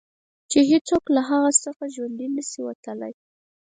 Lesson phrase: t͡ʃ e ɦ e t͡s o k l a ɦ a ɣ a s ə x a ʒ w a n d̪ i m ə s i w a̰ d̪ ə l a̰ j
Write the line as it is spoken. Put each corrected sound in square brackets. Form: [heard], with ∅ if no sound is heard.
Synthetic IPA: t͡ʃ e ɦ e t͡s o k l a ɦ a ɣ a s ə x a ʒ w a n d̪ i [n] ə s i w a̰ [t̪] ə l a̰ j